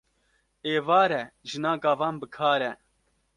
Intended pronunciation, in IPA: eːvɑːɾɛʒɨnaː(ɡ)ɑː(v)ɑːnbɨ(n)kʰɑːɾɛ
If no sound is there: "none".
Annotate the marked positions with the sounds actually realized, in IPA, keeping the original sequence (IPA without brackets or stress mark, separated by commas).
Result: ɡ, v, none